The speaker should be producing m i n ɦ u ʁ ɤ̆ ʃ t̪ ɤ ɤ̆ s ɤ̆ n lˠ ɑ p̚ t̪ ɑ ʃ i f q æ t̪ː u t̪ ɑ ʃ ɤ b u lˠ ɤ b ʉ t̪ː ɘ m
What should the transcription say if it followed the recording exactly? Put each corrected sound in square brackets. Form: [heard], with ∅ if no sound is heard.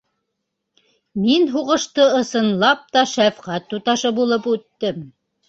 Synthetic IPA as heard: m i n ɦ u ʁ ɤ̆ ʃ t̪ ɤ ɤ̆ s ɤ̆ n lˠ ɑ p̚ t̪ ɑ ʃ [æ] f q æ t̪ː u t̪ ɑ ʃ ɤ b u lˠ ɤ [p] ʉ t̪ː ɘ m